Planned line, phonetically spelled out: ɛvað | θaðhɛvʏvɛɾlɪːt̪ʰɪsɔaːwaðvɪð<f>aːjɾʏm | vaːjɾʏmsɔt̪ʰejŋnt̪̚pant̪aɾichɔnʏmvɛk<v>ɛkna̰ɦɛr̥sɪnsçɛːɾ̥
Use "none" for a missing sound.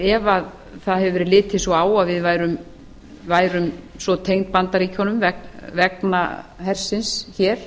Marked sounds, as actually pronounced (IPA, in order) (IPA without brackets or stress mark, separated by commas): v, v